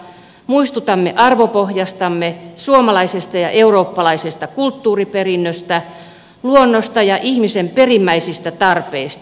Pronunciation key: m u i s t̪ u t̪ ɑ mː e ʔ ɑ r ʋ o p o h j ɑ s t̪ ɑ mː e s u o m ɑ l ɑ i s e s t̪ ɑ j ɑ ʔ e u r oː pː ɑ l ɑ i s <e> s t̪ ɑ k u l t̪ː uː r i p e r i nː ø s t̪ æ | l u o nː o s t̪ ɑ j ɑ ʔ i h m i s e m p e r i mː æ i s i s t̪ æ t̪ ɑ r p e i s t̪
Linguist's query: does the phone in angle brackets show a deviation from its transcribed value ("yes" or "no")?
no